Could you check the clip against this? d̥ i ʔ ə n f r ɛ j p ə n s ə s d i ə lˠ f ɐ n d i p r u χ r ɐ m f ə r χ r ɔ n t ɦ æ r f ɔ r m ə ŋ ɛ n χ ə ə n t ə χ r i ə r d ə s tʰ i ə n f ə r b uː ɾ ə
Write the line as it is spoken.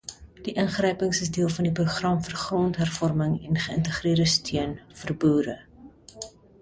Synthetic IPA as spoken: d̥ i ʔ ə n χ r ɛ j p ə ŋ s ə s d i ə lˠ f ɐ n d i p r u χ r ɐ m f ə r χ r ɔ n t ɦ æ r f ɔ r m ə ŋ ɛ n χ ə ə n t ə χ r i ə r d ə s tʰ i ə n f ə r b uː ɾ ə